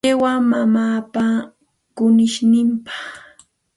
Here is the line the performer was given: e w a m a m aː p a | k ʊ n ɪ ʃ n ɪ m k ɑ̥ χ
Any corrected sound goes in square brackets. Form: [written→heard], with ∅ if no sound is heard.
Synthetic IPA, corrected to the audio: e w a m a m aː p a | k ʊ n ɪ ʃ n ɪ m [k→p] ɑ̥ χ